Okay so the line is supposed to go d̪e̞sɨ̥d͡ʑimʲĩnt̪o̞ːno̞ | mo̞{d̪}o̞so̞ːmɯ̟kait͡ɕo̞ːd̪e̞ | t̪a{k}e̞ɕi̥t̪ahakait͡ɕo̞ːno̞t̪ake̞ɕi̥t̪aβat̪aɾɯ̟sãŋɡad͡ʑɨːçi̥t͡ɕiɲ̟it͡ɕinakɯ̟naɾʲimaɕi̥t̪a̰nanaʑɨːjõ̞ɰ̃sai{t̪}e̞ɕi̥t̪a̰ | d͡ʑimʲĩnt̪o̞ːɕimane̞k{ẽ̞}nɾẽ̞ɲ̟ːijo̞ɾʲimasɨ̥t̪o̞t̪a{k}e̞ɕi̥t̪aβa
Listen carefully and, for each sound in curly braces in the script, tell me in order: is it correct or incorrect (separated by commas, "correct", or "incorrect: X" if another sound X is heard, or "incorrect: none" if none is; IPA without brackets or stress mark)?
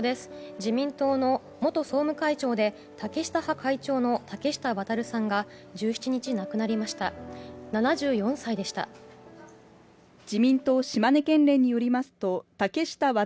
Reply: incorrect: t̪, correct, incorrect: d̪, correct, correct